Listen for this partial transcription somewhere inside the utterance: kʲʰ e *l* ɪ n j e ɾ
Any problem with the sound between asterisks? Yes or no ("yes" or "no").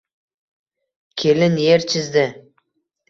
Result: no